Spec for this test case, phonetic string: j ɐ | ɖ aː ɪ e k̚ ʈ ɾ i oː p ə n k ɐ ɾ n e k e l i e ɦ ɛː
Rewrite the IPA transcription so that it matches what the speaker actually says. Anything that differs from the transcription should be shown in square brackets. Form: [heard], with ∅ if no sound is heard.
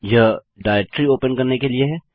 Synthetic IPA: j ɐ | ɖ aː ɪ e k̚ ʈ ɾ i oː p ə n k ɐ ɾ n e k e l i e ɦ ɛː